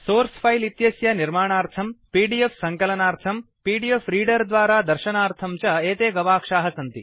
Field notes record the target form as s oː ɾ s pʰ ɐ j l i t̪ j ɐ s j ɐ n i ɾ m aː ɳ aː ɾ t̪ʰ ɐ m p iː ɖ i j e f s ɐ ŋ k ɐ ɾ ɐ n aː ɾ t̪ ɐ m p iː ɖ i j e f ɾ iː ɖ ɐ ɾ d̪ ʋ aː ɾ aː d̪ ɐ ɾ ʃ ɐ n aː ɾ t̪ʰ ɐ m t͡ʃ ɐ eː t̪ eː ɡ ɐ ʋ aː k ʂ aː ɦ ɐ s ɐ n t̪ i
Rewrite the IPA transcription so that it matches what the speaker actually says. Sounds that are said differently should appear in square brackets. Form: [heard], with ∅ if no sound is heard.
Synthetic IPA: s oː ɾ s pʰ ɐ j l i t̪ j ɐ s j ɐ n i ɾ m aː ɳ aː ɾ t̪ʰ ɐ m p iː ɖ i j e f s ɐ ŋ k ɐ [l] ɐ n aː ɾ [t̪ʰ] ɐ m p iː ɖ i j e f ɾ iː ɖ ɐ ɾ d̪ ʋ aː ɾ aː d̪ ɐ ɾ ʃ ɐ n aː ɾ t̪ʰ ɐ m t͡ʃ ɐ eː t̪ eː ɡ ɐ ʋ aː k ʂ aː ɦ ɐ s ɐ n t̪ i

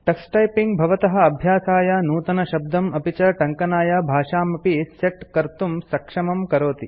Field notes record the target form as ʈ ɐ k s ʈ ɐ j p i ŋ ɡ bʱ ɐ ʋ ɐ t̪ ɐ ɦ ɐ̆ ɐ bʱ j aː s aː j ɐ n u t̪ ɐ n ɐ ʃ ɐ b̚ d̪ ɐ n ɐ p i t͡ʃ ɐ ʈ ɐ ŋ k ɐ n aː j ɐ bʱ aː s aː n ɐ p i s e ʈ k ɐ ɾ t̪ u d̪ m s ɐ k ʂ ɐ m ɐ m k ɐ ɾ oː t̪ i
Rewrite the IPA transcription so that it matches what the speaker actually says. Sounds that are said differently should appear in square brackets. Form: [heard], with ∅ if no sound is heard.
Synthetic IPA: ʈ ɐ k s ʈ ɐ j p i ŋ ɡ bʱ ɐ ʋ ɐ t̪ ɐ ɦ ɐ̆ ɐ bʱ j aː s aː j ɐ n [uː] t̪ ɐ n ɐ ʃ ɐ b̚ d̪ ɐ [m] ɐ p i t͡ʃ ɐ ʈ ɐ ŋ k ɐ n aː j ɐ bʱ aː [ʂ] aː [m] ɐ p i s e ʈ k ɐ ɾ t̪ u [∅] m s ɐ k ʂ ɐ m ɐ m k ɐ ɾ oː t̪ i

